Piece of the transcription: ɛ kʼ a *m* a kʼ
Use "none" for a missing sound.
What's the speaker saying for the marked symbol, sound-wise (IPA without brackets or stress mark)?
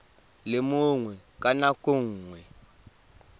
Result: n